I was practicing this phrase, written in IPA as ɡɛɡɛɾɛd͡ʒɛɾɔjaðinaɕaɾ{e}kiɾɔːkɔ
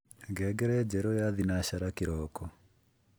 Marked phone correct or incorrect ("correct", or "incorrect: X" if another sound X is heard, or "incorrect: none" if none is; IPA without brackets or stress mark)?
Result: incorrect: a